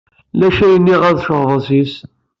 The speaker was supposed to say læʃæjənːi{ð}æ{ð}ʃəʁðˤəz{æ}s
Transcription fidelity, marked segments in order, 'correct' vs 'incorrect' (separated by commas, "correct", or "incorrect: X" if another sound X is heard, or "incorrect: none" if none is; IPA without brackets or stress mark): incorrect: ʁ, correct, incorrect: i